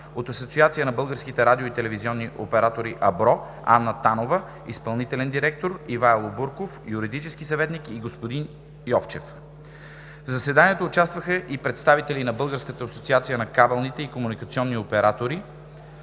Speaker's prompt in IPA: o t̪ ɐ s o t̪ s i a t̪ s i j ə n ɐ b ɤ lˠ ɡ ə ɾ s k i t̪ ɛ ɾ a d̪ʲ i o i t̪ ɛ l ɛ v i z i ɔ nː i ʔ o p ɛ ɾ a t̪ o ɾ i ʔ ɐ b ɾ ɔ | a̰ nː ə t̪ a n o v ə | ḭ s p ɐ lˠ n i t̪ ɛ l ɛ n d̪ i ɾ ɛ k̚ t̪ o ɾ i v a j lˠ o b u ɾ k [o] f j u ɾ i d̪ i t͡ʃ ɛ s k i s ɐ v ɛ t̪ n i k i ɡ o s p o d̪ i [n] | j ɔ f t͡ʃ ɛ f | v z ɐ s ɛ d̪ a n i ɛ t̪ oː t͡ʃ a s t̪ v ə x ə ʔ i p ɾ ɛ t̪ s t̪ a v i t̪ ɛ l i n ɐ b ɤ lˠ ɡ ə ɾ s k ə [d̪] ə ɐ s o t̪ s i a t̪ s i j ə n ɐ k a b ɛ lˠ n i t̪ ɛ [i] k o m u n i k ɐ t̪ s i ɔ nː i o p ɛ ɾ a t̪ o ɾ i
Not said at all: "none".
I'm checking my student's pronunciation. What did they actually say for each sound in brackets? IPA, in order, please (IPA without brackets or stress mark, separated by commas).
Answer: o, n, t̪, i